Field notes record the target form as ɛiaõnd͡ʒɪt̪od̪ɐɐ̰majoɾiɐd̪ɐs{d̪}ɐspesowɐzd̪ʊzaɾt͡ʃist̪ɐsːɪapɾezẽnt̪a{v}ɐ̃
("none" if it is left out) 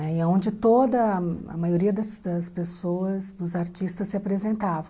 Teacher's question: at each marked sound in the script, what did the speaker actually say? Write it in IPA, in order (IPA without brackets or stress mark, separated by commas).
d̪, v